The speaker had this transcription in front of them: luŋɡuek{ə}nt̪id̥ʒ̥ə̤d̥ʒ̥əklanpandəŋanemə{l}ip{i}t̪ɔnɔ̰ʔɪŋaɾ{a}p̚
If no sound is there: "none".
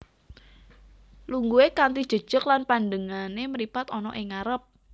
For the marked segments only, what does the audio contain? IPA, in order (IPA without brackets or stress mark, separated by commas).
a, ɾ, a, ə